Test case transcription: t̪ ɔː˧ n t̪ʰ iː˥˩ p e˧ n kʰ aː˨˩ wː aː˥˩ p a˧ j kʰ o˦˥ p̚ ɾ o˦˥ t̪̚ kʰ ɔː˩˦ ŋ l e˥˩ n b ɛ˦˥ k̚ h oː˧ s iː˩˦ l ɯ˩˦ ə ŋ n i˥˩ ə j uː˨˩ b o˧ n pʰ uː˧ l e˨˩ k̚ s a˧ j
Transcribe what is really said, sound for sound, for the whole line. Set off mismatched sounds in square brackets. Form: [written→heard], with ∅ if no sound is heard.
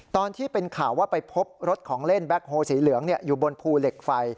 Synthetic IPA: t̪ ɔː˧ n t̪ʰ iː˥˩ p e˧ n kʰ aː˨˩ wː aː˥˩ p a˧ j [kʰ→pʰ] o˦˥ p̚ ɾ o˦˥ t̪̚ kʰ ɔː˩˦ ŋ l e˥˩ n b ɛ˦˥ k̚ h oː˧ s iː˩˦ l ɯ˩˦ ə ŋ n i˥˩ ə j uː˨˩ b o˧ n pʰ uː˧ l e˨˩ k̚ [s→f] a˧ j